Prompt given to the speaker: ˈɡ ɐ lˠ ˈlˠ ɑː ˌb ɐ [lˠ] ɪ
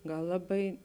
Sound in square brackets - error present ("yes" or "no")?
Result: yes